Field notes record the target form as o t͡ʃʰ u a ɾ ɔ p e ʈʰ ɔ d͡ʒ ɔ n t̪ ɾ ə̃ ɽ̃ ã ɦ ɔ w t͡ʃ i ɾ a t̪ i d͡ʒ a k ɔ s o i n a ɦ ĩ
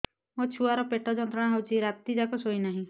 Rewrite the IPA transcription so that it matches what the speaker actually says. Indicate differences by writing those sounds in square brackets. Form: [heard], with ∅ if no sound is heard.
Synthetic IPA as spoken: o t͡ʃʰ u a ɾ ɔ p e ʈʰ ɔ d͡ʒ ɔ n t̪ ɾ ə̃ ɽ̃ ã ɦ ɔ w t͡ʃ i ɾ a t̪ i d͡ʒ a k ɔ s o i n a ɦ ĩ